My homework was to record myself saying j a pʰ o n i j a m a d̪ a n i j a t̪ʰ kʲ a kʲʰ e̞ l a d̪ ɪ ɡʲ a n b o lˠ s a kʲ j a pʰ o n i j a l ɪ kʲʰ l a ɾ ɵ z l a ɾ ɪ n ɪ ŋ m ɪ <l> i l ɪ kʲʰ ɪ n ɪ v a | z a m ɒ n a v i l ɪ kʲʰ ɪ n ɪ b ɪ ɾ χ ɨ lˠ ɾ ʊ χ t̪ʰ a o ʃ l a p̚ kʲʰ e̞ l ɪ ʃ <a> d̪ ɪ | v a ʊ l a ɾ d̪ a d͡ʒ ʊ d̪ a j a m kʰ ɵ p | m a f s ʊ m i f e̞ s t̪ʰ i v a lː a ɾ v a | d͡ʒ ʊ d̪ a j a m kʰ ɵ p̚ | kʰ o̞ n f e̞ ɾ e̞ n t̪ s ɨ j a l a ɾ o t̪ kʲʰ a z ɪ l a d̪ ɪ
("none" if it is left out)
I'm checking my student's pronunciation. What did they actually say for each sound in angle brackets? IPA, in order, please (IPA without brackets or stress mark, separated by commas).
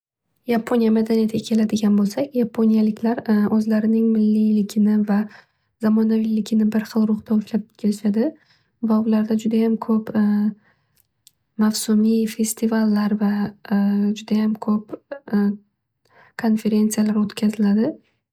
lː, a